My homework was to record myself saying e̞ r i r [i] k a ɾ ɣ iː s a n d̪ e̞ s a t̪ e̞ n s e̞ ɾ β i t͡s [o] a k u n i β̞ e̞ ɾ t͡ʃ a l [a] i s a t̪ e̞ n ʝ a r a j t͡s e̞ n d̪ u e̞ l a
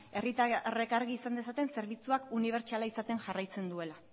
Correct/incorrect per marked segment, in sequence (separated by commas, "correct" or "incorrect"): incorrect, incorrect, correct